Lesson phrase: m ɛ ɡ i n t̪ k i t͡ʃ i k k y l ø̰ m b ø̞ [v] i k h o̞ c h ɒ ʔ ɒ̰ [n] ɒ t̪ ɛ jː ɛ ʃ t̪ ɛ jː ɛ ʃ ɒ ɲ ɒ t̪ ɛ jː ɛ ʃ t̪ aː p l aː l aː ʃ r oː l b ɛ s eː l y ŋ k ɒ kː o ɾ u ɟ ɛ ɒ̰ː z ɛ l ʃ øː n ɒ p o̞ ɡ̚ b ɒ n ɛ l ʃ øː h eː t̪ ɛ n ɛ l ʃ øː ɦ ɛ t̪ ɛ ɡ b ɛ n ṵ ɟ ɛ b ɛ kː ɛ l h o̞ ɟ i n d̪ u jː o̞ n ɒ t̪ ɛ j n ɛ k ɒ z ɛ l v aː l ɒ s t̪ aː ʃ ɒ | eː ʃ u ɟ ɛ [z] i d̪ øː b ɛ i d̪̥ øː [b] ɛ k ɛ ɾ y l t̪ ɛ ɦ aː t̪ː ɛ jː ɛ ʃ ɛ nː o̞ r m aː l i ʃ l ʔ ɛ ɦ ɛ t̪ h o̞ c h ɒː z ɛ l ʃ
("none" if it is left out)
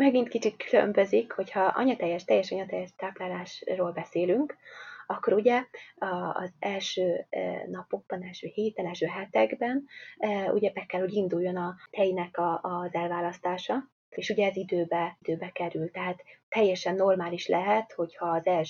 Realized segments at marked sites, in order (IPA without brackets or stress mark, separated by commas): z, ɲ, z, b